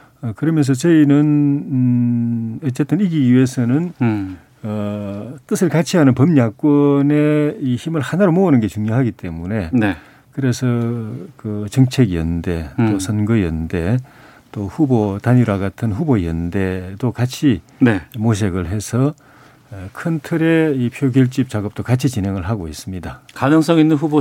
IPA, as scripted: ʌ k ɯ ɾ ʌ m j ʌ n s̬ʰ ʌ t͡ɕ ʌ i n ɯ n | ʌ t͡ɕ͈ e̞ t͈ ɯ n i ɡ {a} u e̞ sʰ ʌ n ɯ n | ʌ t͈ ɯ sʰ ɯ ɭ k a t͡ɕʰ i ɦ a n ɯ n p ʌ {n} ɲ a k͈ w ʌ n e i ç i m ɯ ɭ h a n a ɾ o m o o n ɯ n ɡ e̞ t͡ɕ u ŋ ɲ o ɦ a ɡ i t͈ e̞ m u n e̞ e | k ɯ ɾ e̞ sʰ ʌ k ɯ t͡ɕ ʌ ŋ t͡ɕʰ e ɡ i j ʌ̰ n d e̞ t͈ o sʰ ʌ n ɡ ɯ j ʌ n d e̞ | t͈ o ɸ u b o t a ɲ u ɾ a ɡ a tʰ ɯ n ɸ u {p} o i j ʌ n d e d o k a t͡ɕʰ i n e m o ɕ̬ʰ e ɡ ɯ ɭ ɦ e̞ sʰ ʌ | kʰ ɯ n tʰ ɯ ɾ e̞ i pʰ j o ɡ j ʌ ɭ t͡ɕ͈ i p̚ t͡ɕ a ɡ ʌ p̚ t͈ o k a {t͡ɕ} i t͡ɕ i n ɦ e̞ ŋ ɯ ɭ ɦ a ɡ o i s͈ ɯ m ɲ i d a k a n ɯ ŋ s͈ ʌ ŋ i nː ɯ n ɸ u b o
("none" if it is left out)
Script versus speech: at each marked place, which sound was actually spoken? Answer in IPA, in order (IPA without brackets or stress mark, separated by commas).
i, m, b, t͡ɕʰ